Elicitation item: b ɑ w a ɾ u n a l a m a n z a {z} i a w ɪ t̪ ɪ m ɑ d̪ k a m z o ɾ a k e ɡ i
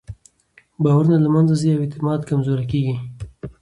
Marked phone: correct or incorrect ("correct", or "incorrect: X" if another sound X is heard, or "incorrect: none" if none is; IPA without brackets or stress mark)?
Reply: correct